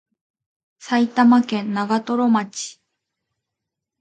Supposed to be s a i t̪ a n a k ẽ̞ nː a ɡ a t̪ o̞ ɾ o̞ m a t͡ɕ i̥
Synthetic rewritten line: s a i t̪ a m a k ẽ̞ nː a ɡ a t̪ o̞ ɾ o̞ m a t͡ɕ i̥